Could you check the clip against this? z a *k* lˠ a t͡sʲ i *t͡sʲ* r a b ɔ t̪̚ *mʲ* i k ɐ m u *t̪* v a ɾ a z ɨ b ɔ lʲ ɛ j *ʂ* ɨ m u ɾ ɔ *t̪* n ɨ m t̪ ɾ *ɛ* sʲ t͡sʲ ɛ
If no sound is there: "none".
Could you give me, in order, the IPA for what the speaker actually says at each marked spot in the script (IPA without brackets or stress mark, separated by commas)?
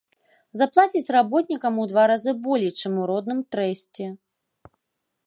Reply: p, t͡sʲ, nʲ, d̪, t͡ʂ, d̪, ɛ